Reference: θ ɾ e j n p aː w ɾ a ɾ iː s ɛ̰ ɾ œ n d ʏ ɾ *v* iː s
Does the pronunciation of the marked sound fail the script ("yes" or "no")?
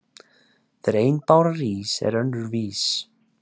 no